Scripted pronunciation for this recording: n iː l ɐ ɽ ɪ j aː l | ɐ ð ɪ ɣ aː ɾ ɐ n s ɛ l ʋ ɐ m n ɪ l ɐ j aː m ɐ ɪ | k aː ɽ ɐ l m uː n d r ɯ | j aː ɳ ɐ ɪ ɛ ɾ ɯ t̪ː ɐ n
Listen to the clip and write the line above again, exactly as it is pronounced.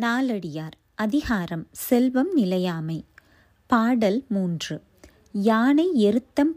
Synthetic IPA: n aː l ɐ ɽ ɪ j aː ɾ | ɐ ð ɪ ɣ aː ɾ ɐ m s ɛ l ʋ ɐ m n ɪ l ɐ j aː m ɐ ɪ | p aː ɽ ɐ l m uː n d r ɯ | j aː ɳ ɐ ɪ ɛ ɾ ɯ t̪ː ɐ m